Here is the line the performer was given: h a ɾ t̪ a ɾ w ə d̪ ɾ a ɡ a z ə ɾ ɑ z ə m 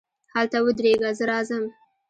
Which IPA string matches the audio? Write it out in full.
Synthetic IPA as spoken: h a l t̪ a w ə d̪ ɾ e ɡ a z ə ɾ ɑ z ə m